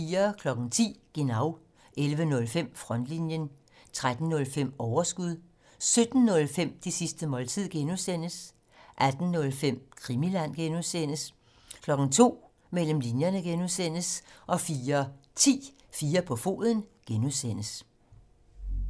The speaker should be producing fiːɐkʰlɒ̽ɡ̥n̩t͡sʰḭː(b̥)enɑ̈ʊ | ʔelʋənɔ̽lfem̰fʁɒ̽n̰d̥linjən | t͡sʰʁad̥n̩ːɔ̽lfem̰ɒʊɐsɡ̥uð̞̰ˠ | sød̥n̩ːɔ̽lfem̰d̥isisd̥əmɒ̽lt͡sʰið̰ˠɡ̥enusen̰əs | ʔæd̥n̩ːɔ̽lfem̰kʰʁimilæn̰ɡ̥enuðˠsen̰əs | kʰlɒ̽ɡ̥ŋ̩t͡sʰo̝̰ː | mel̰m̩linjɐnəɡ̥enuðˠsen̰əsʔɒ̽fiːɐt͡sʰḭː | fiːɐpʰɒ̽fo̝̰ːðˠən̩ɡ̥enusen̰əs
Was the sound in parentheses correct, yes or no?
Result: no